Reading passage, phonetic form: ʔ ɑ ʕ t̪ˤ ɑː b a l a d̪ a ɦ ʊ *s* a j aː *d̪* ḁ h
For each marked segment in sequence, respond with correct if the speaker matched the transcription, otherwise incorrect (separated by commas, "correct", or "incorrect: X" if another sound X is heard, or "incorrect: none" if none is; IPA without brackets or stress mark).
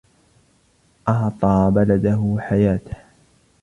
incorrect: ħ, incorrect: t̪